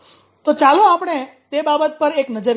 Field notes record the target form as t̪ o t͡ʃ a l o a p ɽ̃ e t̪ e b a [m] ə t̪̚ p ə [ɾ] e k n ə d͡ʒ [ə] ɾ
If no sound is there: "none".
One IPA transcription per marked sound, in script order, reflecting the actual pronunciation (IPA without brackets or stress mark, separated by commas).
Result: b, ɾ, ə